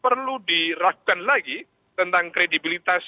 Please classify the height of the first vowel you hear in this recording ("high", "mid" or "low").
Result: mid